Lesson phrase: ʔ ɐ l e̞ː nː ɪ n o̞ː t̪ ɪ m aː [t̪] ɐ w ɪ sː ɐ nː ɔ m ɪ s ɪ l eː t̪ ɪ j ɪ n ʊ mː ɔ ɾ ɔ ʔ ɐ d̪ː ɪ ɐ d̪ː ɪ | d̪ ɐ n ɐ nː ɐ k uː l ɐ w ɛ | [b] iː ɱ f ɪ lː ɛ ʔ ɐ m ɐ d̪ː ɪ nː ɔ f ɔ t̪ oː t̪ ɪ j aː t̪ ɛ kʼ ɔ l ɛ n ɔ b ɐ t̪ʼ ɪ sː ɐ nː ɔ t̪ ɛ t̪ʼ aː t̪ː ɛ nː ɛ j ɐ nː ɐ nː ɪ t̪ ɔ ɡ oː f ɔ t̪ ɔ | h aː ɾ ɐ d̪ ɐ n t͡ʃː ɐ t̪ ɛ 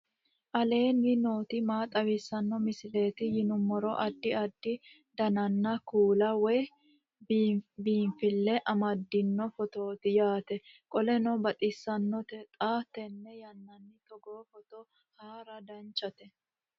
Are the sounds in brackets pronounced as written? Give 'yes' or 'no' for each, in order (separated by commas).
no, yes